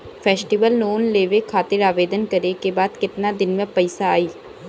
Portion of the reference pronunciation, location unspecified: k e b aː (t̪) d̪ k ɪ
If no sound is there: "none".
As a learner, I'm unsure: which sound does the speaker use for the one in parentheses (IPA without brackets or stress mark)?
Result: none